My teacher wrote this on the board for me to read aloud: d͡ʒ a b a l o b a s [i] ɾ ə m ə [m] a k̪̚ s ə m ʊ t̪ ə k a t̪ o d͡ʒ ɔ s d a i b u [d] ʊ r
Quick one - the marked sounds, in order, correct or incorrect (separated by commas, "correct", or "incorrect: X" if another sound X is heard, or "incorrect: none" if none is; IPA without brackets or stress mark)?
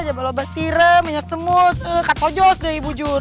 correct, incorrect: ɲ, incorrect: d͡ʒ